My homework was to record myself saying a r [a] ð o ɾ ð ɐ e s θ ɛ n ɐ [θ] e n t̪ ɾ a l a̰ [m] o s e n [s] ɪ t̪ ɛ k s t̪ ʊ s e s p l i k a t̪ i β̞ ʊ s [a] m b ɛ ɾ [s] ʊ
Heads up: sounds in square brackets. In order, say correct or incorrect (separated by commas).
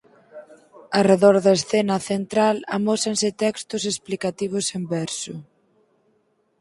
incorrect, correct, correct, correct, incorrect, correct